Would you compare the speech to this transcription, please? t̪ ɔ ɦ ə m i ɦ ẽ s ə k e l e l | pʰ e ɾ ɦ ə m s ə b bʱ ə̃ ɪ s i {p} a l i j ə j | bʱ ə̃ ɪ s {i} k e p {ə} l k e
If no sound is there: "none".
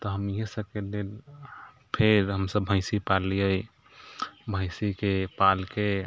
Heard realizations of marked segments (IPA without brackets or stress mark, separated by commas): p, i, a